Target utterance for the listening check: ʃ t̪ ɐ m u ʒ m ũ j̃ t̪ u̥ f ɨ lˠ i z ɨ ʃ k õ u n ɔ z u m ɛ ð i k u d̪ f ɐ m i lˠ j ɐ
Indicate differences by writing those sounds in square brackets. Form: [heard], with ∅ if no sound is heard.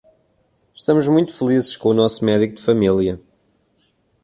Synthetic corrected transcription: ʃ t̪ ɐ m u ʒ m ũ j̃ t̪ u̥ f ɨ lˠ i z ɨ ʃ k õ u n ɔ [s] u m ɛ ð i k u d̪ f ɐ m i lˠ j ɐ